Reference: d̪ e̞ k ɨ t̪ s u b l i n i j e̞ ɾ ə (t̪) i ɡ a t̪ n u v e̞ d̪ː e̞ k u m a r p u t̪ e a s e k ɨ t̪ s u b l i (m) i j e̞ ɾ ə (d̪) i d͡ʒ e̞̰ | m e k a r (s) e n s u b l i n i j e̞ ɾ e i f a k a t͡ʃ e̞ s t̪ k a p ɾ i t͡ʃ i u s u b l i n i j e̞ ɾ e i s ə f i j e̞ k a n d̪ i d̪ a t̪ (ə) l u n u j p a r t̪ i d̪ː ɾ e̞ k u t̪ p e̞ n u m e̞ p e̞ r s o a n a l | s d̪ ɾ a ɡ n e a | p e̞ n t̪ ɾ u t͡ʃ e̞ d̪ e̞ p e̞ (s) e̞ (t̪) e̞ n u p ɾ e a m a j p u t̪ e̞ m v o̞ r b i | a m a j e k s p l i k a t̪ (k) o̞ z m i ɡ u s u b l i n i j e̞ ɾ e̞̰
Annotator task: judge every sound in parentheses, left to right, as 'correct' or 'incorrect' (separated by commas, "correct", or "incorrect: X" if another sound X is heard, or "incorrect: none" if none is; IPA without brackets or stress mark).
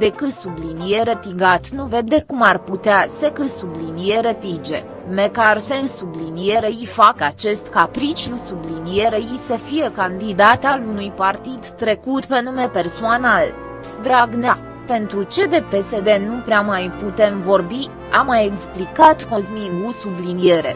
correct, incorrect: n, incorrect: t̪, correct, incorrect: a, correct, incorrect: d̪, correct